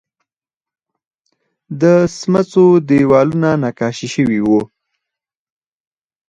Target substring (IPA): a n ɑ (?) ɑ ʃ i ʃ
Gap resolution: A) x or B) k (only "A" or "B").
B